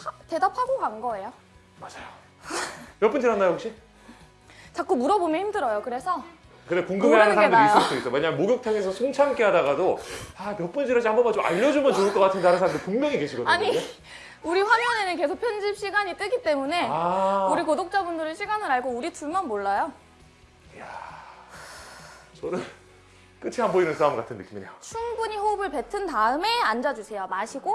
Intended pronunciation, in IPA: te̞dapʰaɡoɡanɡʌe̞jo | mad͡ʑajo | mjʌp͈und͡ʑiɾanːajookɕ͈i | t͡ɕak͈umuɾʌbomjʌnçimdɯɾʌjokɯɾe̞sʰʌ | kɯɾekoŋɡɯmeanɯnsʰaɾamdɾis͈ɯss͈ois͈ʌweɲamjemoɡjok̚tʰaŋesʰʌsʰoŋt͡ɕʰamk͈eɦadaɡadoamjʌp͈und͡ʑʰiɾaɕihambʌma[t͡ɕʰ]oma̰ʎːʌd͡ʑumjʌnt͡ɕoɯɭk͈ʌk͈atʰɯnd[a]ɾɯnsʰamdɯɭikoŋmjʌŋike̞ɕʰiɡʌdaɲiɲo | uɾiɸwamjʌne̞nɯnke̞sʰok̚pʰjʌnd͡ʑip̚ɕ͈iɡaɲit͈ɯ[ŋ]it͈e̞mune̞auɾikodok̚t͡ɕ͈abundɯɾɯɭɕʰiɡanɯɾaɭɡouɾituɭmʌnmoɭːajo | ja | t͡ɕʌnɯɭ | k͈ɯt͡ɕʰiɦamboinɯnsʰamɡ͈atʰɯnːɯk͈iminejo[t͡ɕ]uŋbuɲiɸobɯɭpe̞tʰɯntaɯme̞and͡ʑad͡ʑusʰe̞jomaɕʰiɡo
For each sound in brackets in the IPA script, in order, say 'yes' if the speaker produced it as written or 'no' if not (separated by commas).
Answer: no, yes, no, no